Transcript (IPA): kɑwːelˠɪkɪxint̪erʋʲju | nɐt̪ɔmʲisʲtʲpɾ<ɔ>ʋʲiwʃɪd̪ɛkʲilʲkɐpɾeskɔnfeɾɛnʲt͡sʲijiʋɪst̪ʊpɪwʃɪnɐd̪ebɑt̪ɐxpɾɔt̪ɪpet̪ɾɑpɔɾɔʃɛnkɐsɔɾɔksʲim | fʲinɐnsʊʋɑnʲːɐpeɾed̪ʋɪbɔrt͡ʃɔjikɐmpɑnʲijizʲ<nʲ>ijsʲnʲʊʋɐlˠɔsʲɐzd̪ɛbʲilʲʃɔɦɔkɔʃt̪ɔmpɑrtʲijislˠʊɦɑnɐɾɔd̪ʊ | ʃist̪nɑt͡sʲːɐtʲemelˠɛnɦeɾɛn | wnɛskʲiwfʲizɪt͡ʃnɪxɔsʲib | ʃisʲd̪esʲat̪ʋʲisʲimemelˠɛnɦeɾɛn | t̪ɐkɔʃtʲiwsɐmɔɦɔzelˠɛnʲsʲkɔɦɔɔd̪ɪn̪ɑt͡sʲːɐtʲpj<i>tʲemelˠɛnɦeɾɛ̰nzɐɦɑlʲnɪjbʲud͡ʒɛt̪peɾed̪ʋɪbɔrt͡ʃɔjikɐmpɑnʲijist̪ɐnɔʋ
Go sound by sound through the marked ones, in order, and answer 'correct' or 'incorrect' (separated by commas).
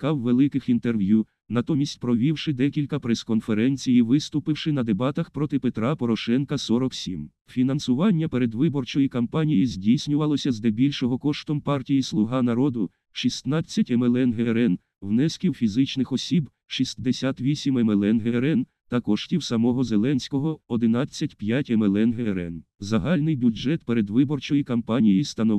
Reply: correct, incorrect, incorrect